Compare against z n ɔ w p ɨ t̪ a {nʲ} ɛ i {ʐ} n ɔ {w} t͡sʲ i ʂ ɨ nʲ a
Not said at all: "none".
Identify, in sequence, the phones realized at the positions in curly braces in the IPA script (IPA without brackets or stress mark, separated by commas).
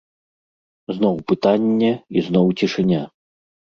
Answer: nʲː, z, w